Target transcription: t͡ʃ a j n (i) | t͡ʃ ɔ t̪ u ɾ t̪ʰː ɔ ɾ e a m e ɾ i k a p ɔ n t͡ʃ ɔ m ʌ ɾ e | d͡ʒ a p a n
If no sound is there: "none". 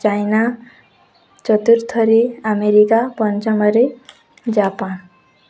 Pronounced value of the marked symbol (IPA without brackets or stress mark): a